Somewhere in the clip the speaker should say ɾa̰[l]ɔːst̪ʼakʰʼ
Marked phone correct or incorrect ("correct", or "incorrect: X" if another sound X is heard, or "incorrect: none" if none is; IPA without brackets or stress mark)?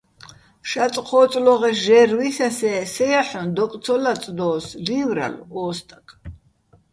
correct